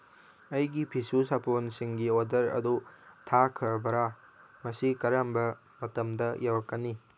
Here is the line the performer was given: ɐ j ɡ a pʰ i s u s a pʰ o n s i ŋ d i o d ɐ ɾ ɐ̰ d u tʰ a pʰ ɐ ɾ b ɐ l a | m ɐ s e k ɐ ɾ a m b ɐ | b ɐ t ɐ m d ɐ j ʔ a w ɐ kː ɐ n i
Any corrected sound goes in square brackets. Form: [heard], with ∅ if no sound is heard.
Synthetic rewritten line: ɐ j ɡ [i] pʰ i s u s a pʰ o n s i ŋ [ɡ] i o d ɐ ɾ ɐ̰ d u tʰ a [kʰ] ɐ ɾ b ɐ [ɾ] a | m ɐ s [i] k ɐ ɾ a m b ɐ | [m] ɐ t ɐ m d ɐ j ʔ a w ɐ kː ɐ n i